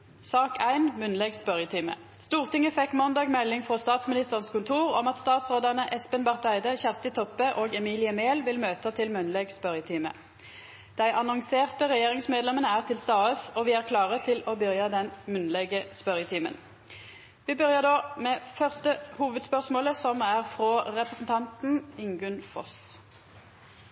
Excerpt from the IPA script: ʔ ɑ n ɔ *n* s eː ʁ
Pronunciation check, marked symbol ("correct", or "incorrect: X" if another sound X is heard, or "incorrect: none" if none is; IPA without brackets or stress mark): incorrect: ŋ